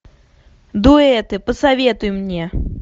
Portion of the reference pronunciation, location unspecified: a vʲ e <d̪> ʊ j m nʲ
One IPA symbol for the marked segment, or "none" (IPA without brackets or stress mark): t̪